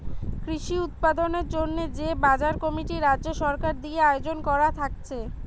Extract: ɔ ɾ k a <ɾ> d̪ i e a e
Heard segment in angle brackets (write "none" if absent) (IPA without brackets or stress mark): ɾ